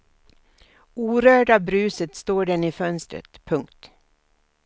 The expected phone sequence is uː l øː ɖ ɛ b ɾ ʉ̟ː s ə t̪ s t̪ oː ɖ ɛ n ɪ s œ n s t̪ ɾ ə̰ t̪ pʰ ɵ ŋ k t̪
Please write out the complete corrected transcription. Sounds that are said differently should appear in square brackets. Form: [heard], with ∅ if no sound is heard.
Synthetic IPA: uː [ɾ] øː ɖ [a] b ɾ ʉ̟ː s ə t̪ s t̪ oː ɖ ɛ n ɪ [f] œ n s t̪ ɾ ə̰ t̪ pʰ ɵ ŋ k t̪